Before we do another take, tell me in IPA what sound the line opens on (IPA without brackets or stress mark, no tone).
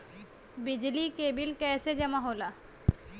b